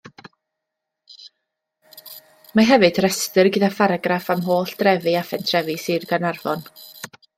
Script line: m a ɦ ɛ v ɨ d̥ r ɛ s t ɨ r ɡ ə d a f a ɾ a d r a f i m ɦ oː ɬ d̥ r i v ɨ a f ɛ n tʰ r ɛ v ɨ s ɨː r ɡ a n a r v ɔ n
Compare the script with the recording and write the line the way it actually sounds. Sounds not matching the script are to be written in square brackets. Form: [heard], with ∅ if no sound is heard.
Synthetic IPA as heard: m a ɦ ɛ v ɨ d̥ r ɛ s t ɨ r ɡ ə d a f a ɾ a [ɡ] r a f [a] m ɦ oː ɬ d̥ r [ɛ] v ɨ a f ɛ n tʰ r ɛ v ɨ s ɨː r ɡ a n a r v ɔ n